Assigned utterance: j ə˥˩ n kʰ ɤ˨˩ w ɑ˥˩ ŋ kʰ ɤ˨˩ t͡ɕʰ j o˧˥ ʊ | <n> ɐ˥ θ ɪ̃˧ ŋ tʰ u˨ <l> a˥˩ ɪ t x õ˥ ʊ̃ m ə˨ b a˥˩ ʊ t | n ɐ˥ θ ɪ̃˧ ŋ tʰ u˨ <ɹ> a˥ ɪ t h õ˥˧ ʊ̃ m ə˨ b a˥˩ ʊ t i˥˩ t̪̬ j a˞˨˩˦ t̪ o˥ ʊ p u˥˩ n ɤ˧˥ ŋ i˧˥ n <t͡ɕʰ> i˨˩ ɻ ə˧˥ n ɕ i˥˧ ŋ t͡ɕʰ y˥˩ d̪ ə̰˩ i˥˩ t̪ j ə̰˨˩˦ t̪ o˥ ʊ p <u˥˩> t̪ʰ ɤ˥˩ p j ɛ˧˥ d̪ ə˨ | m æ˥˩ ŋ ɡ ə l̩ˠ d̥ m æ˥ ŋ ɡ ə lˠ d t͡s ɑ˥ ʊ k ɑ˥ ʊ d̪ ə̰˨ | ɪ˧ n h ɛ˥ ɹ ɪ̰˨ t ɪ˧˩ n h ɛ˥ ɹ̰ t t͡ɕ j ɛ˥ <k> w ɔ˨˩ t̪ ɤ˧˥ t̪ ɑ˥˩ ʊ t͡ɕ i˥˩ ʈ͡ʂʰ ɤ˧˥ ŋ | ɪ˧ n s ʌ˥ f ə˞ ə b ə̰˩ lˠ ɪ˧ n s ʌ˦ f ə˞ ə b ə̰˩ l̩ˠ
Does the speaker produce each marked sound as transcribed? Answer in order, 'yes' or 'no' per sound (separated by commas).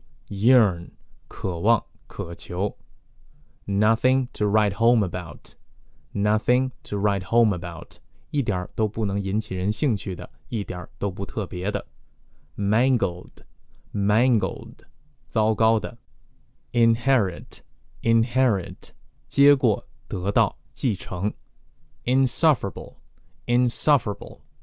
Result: yes, no, yes, yes, no, yes